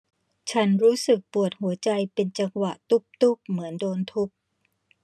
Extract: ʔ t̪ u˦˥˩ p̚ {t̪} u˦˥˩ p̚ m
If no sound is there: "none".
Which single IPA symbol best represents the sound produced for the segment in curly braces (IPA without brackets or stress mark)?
t̪